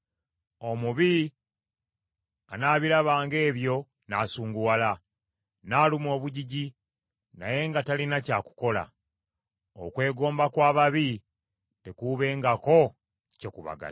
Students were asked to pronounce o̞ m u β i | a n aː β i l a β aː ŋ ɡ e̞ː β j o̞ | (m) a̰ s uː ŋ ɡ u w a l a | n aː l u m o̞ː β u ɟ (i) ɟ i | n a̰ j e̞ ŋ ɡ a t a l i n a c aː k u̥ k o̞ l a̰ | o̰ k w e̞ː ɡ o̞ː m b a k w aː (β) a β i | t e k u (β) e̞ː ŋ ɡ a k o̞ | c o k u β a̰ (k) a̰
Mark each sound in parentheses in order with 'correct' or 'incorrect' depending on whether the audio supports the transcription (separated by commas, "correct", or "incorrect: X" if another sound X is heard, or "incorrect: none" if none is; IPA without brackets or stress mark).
incorrect: n, correct, correct, correct, incorrect: ɡ